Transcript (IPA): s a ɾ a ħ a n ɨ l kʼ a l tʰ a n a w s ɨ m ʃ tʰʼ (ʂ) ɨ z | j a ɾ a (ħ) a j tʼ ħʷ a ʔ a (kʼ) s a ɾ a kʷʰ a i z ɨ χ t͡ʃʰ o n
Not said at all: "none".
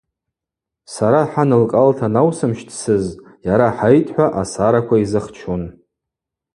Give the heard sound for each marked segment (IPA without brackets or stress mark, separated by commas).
s, ħ, none